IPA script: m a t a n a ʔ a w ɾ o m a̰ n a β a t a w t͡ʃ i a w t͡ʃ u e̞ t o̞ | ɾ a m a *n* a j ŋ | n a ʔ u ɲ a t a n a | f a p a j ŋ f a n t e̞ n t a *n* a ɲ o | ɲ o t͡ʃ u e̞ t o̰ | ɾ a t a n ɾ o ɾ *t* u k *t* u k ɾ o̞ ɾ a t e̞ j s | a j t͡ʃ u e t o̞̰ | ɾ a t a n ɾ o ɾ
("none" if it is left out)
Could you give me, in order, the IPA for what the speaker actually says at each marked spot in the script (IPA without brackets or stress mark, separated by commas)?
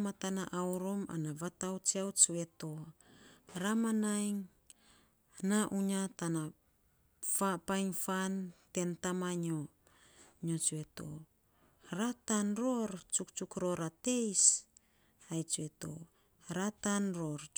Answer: n, m, t͡ʃ, t͡ʃ